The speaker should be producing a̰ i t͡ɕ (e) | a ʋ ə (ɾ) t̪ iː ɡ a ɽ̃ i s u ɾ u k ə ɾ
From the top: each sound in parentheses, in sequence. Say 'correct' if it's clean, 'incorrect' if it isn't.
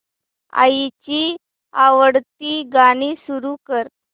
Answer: incorrect: i, incorrect: ɽ

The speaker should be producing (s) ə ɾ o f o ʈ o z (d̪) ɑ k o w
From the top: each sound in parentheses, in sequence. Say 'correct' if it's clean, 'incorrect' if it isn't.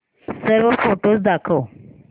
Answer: correct, correct

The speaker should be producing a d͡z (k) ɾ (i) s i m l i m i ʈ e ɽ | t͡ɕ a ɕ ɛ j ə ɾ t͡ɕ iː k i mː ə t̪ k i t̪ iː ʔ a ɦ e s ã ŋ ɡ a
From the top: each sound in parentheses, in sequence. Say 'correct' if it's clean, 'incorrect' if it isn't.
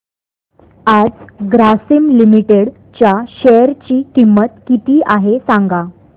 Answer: incorrect: ɡ, incorrect: a

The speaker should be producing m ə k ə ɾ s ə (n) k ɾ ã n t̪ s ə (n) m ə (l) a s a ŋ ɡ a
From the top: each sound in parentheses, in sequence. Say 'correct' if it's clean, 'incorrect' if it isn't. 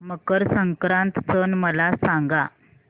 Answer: incorrect: ŋ, correct, correct

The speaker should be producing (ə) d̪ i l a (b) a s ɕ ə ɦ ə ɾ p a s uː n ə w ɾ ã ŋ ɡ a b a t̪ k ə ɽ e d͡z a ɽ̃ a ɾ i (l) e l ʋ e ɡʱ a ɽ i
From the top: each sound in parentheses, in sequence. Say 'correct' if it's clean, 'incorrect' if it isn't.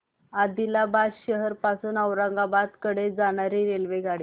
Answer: incorrect: a, correct, incorrect: ɾ

